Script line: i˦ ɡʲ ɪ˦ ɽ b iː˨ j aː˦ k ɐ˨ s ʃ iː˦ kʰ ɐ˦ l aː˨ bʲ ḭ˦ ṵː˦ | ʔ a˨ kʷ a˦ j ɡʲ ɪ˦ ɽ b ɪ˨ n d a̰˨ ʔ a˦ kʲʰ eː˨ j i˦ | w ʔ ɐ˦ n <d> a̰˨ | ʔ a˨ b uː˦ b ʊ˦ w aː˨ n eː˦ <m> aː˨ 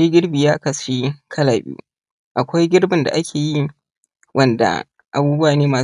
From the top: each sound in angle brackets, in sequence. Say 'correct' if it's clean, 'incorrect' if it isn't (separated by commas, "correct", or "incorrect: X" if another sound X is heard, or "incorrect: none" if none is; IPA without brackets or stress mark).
correct, correct